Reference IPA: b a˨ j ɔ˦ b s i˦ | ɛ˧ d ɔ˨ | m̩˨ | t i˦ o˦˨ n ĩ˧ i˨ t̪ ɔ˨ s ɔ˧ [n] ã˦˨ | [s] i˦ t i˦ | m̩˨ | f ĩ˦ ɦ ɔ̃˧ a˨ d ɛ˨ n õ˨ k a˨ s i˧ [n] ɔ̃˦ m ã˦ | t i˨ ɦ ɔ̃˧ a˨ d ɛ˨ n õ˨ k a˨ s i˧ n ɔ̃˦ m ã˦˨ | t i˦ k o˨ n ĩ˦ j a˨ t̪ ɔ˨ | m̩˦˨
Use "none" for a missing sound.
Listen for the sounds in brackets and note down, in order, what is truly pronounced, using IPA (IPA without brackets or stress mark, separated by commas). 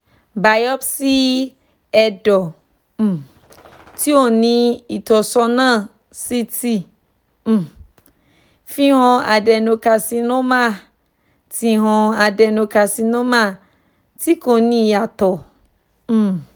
n, s, n